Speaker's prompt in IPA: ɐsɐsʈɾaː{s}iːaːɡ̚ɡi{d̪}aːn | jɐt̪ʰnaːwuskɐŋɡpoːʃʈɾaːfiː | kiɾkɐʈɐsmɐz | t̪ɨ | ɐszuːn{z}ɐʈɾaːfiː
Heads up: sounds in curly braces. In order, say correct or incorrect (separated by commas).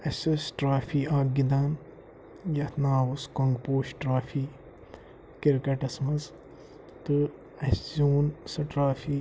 incorrect, correct, incorrect